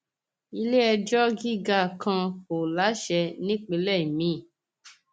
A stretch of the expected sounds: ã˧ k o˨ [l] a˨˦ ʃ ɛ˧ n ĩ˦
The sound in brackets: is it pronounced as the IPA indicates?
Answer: yes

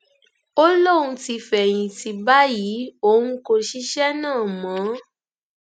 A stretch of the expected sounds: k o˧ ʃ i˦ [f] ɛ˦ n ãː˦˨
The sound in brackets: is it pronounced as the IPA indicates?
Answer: no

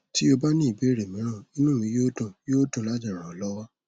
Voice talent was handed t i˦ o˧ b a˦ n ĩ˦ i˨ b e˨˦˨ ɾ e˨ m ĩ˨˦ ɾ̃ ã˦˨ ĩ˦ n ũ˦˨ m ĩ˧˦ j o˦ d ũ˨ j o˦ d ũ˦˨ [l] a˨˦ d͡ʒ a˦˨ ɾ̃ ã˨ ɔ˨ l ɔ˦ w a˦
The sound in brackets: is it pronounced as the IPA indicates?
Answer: yes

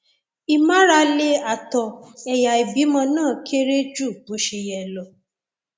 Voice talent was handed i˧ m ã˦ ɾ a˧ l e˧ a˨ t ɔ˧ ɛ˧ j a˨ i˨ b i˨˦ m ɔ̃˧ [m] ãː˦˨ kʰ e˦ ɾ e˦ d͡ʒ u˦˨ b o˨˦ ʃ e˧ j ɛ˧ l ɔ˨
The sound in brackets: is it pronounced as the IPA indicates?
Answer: no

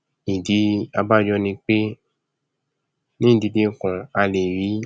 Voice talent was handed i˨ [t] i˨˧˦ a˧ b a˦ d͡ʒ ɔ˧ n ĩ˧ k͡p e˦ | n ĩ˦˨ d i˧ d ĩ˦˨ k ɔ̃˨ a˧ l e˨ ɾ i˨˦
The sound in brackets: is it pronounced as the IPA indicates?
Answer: no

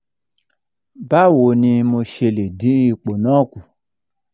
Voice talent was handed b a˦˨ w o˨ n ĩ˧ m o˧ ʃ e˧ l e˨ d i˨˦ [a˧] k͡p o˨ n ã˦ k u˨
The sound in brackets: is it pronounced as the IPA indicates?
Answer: no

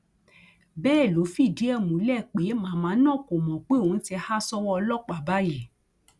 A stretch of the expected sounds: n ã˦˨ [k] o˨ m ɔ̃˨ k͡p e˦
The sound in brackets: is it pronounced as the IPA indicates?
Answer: yes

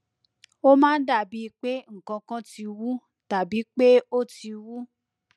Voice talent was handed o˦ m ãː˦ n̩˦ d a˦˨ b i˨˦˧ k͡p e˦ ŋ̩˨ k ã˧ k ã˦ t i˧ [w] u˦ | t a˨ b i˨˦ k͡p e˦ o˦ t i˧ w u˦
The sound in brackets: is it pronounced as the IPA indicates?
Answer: yes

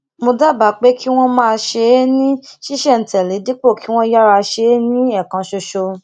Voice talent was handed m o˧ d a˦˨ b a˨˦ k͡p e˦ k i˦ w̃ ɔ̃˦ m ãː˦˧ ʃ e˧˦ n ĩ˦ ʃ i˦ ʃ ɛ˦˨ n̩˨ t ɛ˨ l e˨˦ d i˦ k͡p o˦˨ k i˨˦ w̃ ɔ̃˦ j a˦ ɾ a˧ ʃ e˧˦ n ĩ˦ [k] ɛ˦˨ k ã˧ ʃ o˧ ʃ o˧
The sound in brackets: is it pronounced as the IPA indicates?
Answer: no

